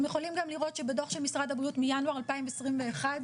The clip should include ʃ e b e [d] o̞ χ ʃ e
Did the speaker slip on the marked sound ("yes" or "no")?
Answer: no